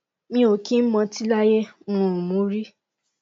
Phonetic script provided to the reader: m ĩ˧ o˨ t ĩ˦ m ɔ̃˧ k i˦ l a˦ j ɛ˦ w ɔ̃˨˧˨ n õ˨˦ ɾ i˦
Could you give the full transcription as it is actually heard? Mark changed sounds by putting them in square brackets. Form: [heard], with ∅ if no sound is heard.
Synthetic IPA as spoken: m ĩ˧ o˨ [k] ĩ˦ m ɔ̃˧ [t] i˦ l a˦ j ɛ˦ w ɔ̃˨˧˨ [m] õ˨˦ ɾ i˦